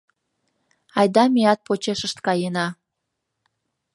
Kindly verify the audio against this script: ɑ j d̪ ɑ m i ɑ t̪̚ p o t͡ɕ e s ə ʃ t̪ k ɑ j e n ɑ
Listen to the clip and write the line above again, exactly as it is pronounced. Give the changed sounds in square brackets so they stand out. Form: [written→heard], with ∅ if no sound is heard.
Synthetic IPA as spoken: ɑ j d̪ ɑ m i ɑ t̪̚ p o t͡ɕ e [s→ʃ] ə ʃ t̪ k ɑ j e n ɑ